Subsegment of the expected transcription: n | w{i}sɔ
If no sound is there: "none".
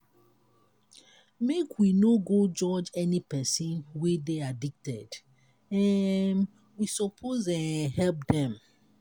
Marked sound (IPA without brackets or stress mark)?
i